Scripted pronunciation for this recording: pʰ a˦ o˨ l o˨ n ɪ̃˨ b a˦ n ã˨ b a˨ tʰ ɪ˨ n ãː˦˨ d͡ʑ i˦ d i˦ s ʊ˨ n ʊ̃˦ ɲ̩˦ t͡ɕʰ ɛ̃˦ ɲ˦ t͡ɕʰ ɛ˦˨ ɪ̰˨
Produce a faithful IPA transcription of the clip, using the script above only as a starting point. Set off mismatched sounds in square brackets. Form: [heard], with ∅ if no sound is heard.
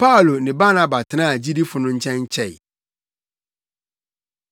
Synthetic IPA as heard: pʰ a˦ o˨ l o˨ n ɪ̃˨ b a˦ n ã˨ b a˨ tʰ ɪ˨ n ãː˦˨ d͡ʑ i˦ d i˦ [f] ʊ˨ n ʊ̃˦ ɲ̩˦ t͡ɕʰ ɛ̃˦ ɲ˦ t͡ɕʰ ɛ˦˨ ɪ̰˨